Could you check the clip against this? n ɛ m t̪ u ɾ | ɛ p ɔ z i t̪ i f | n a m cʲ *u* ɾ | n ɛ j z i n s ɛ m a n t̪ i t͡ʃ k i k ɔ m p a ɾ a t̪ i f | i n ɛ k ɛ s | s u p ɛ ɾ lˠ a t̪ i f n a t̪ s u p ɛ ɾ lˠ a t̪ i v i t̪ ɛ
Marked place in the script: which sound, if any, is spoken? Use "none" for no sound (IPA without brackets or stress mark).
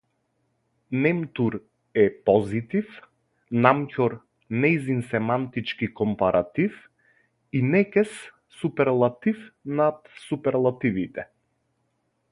ɔ